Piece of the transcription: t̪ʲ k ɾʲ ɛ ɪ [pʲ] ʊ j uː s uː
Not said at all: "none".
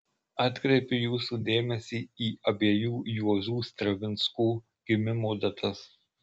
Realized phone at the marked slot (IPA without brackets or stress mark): pʲ